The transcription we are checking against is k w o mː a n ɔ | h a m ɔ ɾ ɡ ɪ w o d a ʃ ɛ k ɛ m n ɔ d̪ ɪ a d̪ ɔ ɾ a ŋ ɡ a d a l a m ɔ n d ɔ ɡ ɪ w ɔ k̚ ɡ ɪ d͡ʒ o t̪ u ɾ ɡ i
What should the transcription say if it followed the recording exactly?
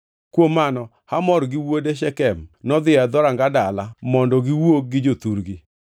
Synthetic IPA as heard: k w o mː a n ɔ | h a m ɔ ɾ ɡ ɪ w o d e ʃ ɛ k ɛ m n ɔ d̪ ɪ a d̪ ɔ ɾ a ŋ ɡ a d a l a m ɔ n d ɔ ɡ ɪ w o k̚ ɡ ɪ d͡ʒ o t̪ u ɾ ɡ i